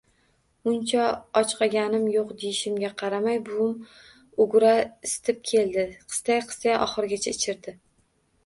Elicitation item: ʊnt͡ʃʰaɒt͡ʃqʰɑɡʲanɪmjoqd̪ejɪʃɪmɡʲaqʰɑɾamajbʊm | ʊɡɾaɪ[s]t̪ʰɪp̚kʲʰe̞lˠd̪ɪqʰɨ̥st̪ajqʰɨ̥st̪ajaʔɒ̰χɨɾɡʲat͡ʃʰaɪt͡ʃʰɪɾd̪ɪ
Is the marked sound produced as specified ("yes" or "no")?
yes